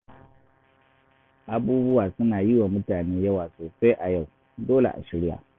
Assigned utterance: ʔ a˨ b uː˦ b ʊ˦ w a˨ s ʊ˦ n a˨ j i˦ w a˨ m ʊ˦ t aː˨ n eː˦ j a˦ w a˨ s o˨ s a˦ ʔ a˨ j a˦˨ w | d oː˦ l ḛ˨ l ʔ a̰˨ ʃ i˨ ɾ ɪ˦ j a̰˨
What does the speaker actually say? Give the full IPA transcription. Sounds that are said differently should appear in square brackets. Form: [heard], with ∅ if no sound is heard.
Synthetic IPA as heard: ʔ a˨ b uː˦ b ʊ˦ w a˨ s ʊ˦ n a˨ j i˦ w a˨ m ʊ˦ t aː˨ n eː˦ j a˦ w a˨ s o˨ s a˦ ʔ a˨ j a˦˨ w | d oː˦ l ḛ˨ [∅] ʔ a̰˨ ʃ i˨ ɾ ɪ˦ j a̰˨